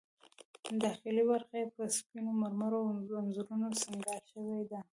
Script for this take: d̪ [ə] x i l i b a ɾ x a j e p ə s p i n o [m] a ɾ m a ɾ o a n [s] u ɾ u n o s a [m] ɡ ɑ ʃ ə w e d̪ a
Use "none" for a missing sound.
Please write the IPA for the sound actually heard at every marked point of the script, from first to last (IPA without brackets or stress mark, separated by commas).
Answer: ɑ, m, z, ŋ